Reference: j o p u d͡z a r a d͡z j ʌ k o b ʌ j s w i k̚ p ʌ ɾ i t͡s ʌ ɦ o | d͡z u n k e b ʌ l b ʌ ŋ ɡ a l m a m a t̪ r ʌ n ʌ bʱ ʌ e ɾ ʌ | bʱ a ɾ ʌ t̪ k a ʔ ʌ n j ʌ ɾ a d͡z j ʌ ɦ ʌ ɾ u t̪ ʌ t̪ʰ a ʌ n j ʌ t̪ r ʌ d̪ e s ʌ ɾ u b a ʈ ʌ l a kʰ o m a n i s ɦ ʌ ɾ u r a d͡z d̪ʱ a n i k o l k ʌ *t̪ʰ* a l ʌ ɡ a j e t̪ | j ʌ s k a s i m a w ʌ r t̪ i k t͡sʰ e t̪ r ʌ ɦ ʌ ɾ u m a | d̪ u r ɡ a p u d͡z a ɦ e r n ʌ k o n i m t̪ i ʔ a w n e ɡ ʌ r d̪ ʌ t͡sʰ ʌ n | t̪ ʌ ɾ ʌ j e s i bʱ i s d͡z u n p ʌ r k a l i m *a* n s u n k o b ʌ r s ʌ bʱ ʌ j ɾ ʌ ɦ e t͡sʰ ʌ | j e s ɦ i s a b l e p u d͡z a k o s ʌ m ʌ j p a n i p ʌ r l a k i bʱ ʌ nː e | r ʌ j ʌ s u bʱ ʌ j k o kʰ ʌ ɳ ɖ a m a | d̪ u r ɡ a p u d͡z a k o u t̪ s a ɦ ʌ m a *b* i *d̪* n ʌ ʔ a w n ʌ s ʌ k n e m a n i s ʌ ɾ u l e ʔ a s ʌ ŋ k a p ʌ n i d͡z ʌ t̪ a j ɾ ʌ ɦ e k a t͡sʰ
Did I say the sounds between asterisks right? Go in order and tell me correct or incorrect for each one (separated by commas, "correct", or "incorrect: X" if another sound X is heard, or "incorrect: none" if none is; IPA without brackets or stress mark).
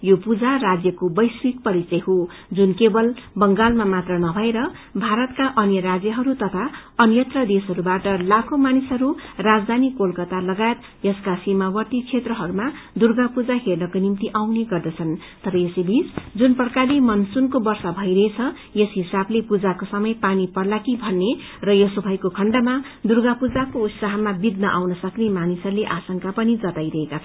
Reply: incorrect: t̪, incorrect: ʌ, correct, correct